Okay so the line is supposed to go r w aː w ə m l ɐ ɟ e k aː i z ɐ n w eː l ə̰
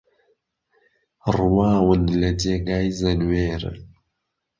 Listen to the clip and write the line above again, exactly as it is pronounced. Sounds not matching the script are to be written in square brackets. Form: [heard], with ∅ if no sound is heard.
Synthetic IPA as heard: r w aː w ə [n] l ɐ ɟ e [ɡ] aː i z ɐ n w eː [ɾ] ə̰